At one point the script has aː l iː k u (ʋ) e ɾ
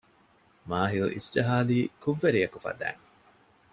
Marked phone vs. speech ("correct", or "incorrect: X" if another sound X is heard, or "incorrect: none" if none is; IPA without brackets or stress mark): incorrect: ʋː